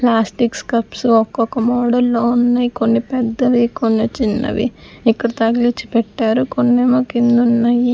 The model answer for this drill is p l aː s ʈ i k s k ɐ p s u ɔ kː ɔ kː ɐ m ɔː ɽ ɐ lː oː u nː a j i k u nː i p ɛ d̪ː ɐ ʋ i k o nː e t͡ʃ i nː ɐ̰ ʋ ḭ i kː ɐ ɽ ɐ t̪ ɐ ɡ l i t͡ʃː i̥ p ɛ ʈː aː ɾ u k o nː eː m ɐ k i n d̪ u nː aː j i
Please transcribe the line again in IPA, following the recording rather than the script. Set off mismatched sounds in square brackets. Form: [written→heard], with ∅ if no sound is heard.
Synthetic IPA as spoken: p l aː s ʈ i k s k ɐ p s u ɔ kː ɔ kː ɐ m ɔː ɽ ɐ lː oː u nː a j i k [u→o] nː i p ɛ d̪ː ɐ ʋ i k o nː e t͡ʃ i nː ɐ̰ ʋ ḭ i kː ɐ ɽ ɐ t̪ ɐ ɡ l i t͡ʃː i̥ p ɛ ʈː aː ɾ u k o nː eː m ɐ k i n d̪ u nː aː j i